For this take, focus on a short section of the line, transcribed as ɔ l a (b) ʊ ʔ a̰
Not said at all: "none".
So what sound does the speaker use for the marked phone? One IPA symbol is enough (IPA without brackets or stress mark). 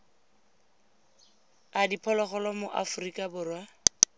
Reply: m